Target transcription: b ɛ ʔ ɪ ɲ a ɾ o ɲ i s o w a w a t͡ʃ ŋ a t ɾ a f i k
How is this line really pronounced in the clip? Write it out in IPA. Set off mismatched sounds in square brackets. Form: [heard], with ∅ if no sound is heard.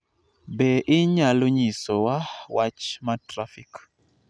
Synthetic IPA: b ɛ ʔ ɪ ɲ a [l] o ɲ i s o w a w a t͡ʃ [m] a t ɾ a f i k

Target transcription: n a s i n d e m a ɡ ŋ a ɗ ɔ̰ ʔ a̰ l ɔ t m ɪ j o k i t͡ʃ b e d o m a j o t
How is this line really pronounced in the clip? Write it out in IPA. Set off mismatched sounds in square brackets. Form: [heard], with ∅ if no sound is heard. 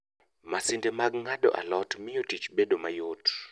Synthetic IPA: [m] a s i n d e m a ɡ ŋ a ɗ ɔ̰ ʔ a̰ l ɔ t m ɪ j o [t] i t͡ʃ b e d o m a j o t

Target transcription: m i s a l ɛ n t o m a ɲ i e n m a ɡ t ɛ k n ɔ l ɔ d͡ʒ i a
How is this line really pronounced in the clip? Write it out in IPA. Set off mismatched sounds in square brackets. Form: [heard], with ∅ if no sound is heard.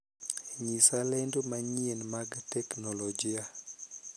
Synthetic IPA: [ɲ] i s a l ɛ n [d] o m a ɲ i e n m a ɡ t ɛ k n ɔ l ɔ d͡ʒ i a

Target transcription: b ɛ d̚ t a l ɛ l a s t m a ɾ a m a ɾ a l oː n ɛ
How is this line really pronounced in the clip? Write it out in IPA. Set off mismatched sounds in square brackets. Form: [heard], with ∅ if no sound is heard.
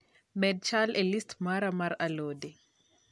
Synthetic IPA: [m] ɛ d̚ [t͡ʃ] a l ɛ l [i] s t m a ɾ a m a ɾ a l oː [d] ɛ

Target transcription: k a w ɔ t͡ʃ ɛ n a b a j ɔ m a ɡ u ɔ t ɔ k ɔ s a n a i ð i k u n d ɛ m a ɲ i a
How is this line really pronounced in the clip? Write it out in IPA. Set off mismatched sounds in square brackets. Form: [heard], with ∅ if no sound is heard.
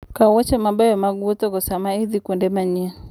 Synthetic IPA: k a w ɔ t͡ʃ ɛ [m] a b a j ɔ m a ɡ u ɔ t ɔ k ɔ s a [m] a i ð i k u n d ɛ m a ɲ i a

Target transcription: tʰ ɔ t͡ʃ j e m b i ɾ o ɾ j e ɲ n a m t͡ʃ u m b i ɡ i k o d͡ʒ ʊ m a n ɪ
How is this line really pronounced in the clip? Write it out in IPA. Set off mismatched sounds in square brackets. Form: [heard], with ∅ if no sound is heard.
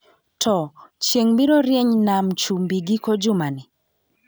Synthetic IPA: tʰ ɔ t͡ʃ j e [ŋ] b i ɾ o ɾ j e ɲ n a m t͡ʃ u m b i ɡ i k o d͡ʒ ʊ m a n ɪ

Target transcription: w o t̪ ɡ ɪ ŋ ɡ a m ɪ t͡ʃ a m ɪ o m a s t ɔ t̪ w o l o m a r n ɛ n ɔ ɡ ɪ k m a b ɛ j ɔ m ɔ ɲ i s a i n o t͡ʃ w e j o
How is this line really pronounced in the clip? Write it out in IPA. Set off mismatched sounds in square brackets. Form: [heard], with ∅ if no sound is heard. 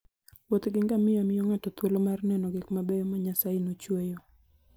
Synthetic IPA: w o t̪ ɡ ɪ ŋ ɡ a m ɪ [∅] a m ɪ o [ŋ] a [∅] t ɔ t̪ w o l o m a r n ɛ n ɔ ɡ ɪ k m a b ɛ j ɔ m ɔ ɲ [a] s a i n o t͡ʃ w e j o

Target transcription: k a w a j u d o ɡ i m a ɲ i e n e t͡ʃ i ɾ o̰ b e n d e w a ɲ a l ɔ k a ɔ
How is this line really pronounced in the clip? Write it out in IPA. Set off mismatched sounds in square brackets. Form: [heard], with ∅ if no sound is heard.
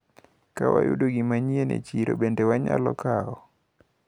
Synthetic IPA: k a w a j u d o ɡ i m a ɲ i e n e t͡ʃ i ɾ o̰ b e n d e w a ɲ a l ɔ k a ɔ

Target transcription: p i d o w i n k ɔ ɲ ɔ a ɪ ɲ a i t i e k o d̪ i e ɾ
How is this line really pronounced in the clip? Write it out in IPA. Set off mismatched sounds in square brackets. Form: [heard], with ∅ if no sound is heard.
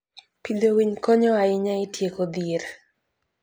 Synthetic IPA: p i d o w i [ɲ] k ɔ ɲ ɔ a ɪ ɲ a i t [j] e k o d̪ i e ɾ

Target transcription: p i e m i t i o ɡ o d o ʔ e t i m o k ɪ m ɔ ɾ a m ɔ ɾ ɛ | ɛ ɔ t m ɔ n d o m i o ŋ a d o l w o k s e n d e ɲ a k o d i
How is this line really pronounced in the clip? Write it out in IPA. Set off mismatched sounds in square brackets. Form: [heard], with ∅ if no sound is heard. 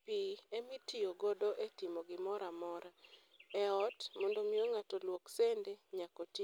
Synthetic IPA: p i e m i t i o ɡ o d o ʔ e t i m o [ɡ] ɪ m ɔ ɾ a m ɔ ɾ [a] | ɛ ɔ t m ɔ n d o m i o ŋ a [t] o l w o k s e n d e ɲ a k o [t] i

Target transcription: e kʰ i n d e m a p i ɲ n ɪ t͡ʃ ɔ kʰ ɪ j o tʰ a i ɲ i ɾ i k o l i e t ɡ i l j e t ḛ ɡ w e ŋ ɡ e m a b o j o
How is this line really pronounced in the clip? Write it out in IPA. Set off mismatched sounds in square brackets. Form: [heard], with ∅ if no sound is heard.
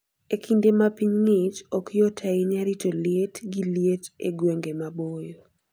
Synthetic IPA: e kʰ i n d e m a p i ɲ [ŋ] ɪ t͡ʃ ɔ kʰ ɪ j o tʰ a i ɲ [a] ɾ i [t] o l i e t ɡ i l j e t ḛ ɡ w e ŋ ɡ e m a b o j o

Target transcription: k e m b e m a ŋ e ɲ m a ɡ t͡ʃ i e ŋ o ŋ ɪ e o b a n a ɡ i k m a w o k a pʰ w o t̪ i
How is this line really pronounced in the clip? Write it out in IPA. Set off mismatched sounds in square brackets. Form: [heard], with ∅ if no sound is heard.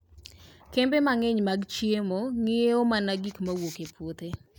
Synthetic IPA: k e m b e m a ŋ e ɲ m a ɡ t͡ʃ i e [m] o ŋ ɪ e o [m] a n a ɡ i k m a w o k [e] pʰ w o t̪ [e]

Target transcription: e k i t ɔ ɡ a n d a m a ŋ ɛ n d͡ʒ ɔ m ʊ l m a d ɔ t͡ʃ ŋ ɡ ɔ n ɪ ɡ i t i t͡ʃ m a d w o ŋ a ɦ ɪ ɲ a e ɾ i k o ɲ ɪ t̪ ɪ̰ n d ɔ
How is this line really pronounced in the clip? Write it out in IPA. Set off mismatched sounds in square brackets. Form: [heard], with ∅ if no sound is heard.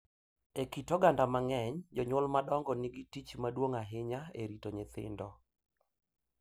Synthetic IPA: e k i t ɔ ɡ a n d a m a ŋ ɛ [ɲ] d͡ʒ ɔ [ɲ] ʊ l m a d ɔ [∅] ŋ ɡ ɔ n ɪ ɡ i t i t͡ʃ m a d w o ŋ a ɦ ɪ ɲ a e ɾ i [t] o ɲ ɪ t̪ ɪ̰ n d ɔ

